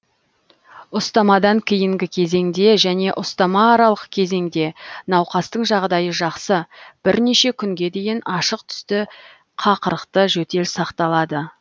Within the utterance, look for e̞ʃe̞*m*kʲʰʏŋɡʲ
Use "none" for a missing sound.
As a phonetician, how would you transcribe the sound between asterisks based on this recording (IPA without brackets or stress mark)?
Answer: none